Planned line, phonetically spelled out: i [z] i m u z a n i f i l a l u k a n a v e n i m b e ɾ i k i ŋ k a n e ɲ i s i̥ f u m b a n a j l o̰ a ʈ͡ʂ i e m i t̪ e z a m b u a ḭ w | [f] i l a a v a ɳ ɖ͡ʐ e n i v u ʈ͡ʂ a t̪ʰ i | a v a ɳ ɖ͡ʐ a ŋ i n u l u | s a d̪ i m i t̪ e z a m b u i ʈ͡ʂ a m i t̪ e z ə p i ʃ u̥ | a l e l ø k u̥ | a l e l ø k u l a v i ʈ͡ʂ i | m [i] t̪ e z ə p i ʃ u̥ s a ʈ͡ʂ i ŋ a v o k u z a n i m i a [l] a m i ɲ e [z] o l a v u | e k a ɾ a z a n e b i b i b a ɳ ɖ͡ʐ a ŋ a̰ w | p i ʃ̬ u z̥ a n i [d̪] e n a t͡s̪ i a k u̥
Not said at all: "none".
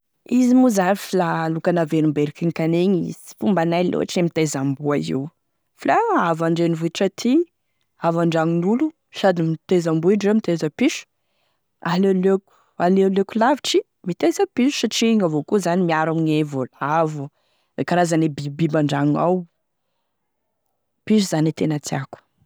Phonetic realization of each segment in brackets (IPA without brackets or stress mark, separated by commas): z, f, i, ɾ, v, t̪